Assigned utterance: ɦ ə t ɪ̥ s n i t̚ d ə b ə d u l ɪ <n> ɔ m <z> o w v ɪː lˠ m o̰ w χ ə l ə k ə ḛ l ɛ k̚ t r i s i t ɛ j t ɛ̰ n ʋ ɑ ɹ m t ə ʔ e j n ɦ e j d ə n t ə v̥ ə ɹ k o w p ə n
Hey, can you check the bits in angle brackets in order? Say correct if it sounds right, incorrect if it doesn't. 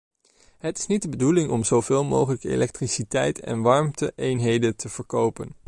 incorrect: ŋ, correct

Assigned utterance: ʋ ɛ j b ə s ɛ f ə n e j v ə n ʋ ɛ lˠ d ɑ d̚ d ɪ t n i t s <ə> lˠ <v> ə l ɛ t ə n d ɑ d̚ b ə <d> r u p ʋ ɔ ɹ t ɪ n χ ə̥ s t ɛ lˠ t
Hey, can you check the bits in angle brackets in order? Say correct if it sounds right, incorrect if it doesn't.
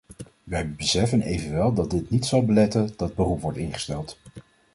incorrect: ɑ, incorrect: b, incorrect: none

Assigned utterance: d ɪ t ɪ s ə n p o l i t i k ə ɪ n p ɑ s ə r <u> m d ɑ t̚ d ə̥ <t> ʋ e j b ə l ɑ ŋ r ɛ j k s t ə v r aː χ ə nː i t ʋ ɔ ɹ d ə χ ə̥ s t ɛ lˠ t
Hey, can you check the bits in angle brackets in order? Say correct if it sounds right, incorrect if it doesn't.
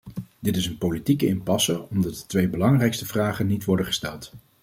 incorrect: ɔ, correct

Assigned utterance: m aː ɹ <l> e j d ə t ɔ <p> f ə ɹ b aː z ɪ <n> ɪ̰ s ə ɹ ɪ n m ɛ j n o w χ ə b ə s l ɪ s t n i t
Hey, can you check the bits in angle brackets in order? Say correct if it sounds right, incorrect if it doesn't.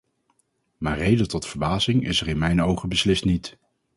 incorrect: r, incorrect: t, incorrect: ŋ

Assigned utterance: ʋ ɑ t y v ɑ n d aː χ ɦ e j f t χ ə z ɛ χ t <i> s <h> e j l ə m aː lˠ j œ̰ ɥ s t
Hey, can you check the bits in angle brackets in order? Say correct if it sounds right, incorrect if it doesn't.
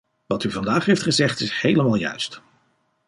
incorrect: ɪ, correct

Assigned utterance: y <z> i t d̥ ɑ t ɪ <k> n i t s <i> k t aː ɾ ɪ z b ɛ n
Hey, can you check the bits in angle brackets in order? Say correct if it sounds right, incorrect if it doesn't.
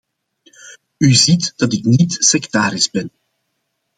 correct, correct, incorrect: ɛ

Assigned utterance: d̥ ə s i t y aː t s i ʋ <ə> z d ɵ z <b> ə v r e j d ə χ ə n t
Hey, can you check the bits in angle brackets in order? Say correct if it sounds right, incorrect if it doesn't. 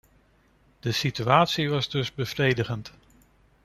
incorrect: ɑ, correct

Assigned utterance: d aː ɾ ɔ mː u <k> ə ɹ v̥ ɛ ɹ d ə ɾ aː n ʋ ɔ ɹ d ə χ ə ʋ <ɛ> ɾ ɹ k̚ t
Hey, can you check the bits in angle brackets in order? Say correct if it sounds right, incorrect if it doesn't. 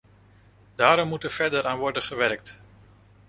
incorrect: t, correct

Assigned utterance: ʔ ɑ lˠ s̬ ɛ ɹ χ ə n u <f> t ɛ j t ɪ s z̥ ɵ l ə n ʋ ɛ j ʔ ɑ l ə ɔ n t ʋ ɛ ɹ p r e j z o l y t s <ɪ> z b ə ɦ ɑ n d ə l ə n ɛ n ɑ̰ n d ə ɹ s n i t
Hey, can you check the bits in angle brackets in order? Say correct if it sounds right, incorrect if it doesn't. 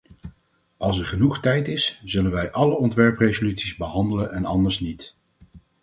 incorrect: χ, incorrect: i

